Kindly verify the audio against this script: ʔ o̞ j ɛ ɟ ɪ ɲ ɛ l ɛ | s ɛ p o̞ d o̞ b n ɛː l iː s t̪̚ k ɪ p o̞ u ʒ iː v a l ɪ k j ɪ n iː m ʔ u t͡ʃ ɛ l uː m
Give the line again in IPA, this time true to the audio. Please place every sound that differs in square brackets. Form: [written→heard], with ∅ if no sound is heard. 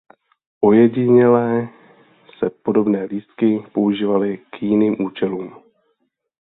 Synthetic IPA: ʔ o̞ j ɛ ɟ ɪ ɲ ɛ l [ɛ→ɛː] | s ɛ p o̞ d o̞ b n ɛː l iː s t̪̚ k ɪ p o̞ u ʒ iː v a l ɪ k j ɪ n iː m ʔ [u→uː] t͡ʃ ɛ l uː m